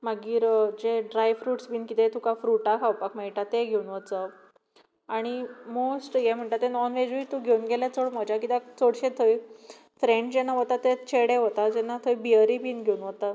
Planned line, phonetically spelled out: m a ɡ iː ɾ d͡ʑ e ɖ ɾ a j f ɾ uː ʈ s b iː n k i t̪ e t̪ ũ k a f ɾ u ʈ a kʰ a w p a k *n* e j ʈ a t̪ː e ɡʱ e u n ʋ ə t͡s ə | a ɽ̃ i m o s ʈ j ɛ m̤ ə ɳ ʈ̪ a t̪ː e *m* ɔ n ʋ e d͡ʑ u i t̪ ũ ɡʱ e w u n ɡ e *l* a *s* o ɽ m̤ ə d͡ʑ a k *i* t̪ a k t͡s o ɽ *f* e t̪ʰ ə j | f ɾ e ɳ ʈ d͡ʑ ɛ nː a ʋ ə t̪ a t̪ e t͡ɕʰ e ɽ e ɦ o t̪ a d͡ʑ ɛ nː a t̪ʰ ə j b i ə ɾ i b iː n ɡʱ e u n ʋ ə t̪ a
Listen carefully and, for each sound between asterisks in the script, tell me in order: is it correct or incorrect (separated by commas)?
incorrect, incorrect, correct, incorrect, correct, incorrect